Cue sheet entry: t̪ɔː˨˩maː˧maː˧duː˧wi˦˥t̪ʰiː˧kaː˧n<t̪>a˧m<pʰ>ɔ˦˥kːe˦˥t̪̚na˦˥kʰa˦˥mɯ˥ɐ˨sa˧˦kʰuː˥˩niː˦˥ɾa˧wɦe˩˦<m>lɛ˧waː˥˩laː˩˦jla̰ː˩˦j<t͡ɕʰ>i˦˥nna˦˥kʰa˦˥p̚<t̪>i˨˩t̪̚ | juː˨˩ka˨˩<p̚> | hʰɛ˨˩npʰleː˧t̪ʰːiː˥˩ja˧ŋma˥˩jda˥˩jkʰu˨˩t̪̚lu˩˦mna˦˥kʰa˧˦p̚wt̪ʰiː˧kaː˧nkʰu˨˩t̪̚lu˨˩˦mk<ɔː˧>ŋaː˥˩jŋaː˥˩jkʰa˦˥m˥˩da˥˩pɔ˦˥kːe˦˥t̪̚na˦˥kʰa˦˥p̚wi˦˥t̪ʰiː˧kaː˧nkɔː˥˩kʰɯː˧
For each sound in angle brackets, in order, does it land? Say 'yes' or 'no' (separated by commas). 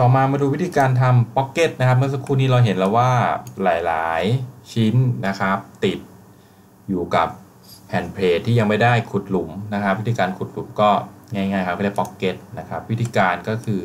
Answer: no, no, no, yes, yes, yes, no